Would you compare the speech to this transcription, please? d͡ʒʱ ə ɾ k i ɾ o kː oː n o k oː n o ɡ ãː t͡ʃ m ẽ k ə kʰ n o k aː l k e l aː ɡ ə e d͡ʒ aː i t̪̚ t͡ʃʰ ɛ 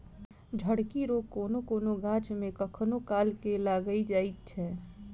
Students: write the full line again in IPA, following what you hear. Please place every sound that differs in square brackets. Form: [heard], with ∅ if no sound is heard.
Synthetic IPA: d͡ʒʱ ə [ɽ] k i ɾ o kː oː n o k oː n o ɡ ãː t͡ʃ m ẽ k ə kʰ n o k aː l k e l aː ɡ ə [i] d͡ʒ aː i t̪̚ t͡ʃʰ ɛ

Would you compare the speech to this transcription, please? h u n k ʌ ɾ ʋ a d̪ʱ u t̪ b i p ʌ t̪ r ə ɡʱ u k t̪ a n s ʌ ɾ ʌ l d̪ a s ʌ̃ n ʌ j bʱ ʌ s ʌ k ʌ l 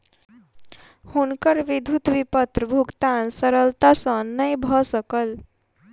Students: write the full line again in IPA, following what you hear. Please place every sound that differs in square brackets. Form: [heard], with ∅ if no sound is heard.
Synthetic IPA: h u n k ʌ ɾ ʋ [i] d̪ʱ u t̪ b i p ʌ t̪ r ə [bʱ] u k t̪ a n s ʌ ɾ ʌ l [t̪] a s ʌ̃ n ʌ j bʱ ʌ s ʌ k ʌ l

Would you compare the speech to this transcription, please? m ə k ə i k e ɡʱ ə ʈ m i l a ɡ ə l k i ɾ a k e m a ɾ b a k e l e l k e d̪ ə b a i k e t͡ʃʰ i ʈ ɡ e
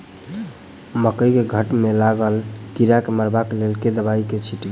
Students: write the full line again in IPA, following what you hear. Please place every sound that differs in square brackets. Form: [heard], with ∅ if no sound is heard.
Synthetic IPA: m ə k ə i k e ɡʱ ə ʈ m [e] l a ɡ ə l k i ɾ a k e m [ə] ɾ b a k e l e l k e d̪ ə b a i k e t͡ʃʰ i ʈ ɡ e

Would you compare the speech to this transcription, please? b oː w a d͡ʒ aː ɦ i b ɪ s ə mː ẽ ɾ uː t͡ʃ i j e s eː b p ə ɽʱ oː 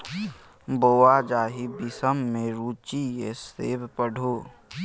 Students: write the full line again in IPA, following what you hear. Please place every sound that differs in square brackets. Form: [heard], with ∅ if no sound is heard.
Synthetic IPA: b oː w a d͡ʒ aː ɦ i b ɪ s ə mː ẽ ɾ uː t͡ʃ i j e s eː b p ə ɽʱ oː

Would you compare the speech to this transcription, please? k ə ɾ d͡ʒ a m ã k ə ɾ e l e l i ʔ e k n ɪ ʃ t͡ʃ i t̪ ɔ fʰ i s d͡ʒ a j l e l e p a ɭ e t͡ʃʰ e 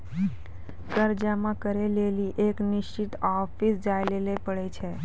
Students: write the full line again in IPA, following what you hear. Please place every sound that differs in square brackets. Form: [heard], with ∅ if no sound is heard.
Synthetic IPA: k ə ɾ d͡ʒ a m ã k ə ɾ e l e l i ʔ e k n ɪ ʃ t͡ʃ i t̪ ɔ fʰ i s d͡ʒ a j l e l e p [ə] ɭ e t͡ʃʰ e

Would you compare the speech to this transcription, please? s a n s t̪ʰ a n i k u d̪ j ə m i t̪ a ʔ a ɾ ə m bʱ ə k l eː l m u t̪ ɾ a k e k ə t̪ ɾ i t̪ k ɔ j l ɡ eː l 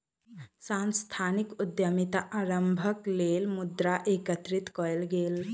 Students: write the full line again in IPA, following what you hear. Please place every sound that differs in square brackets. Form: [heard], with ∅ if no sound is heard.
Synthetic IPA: s a n s t̪ʰ a n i k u d̪ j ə m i t̪ a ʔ a ɾ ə m bʱ ə k l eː l m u [d̪] ɾ a [ʔ] e k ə t̪ ɾ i t̪ k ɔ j l ɡ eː l

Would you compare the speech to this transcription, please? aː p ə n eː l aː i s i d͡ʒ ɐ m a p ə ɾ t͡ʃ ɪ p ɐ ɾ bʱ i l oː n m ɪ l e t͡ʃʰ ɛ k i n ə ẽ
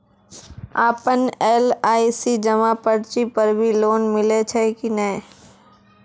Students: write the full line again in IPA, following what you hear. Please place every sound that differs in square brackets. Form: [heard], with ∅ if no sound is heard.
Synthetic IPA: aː p ə n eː l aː i s i d͡ʒ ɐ m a p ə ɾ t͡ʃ [i] p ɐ ɾ bʱ i l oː n m ɪ l e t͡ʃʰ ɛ k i n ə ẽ

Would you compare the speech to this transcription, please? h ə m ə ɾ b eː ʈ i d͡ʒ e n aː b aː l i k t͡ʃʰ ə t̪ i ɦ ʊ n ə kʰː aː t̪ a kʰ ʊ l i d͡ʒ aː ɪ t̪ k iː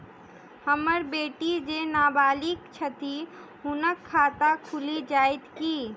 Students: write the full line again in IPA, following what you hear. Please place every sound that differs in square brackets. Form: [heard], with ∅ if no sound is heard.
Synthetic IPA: h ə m ə ɾ b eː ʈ i d͡ʒ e n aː b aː l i k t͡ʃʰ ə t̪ i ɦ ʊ n ə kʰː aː t̪ a kʰ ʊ l i d͡ʒ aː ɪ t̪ k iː

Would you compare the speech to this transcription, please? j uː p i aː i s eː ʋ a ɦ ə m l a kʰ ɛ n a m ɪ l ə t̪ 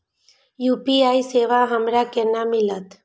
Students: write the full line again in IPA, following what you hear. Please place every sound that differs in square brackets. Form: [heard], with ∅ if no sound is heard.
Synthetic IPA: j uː p i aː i s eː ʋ a ɦ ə m [ɾ] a [k] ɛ n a m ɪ l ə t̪

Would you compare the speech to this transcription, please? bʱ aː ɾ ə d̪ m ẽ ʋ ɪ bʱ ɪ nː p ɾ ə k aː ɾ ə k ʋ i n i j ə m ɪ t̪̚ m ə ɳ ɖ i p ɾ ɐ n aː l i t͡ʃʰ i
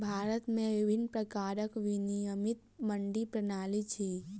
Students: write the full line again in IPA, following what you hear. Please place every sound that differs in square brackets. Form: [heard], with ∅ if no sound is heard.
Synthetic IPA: bʱ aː ɾ ə [t̪] m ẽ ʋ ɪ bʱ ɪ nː p ɾ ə k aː ɾ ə k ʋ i n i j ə m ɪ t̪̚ m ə ɳ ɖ i p ɾ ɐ n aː l i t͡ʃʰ i

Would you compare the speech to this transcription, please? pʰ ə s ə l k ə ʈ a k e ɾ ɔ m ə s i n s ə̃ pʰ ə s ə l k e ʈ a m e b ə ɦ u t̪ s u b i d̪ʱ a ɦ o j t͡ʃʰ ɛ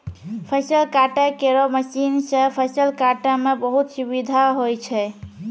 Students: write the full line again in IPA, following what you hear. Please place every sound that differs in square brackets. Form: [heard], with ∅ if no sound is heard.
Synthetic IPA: pʰ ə s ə l k [a] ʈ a k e ɾ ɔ m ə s i n s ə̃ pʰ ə s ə l k [a] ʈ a m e b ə ɦ u t̪ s u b i d̪ʱ a ɦ o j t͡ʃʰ ɛ

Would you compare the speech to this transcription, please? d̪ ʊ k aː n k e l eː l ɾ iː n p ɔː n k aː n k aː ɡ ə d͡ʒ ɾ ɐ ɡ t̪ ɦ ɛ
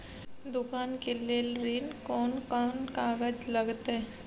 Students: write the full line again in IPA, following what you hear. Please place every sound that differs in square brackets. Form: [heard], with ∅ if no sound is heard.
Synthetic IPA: d̪ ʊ k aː n k e l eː l ɾ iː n [k] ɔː n k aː n k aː ɡ ə d͡ʒ [l] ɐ ɡ t̪ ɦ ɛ

